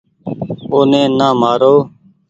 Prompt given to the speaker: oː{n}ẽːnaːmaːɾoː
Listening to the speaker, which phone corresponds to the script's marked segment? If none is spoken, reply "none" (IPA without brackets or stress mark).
n